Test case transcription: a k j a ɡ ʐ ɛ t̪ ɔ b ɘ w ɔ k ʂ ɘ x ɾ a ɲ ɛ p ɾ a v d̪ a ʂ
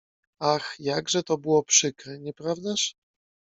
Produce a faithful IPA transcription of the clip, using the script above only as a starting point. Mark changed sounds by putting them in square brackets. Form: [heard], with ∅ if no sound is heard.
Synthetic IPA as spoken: a [x] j a ɡ ʐ ɛ t̪ ɔ b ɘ w ɔ [p] ʂ ɘ [k] ɾ [ɛ] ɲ ɛ p ɾ a v d̪ a ʂ